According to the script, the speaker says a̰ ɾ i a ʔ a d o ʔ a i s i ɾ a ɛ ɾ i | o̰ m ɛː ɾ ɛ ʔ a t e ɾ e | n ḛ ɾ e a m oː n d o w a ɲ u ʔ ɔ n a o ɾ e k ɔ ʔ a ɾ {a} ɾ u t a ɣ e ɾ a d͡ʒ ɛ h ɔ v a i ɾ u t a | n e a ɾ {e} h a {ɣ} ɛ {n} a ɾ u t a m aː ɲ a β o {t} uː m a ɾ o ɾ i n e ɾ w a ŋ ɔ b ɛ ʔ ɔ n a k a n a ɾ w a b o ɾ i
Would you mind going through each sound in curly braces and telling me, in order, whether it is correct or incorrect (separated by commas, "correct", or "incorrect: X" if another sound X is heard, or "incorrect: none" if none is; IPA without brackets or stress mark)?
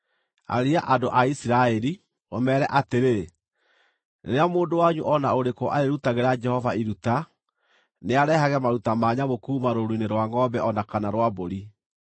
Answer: incorrect: e, incorrect: ɛ, correct, incorrect: m, incorrect: k